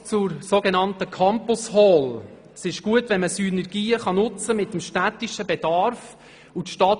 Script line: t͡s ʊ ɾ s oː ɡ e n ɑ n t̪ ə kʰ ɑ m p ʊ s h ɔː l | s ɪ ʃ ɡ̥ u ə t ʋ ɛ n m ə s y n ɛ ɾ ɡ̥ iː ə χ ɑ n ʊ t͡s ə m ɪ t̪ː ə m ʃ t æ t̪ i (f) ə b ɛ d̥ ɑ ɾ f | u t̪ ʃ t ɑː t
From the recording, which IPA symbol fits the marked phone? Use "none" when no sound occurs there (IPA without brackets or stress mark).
ʃ